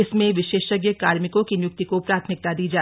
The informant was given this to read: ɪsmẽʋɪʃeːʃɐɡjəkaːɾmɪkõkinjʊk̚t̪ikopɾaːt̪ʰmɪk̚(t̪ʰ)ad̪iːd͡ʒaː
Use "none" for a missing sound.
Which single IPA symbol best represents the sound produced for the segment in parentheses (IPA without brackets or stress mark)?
t̪